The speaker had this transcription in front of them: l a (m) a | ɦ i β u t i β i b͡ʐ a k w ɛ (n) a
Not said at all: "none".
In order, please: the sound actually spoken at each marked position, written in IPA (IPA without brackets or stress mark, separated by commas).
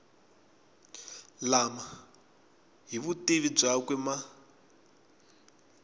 m, m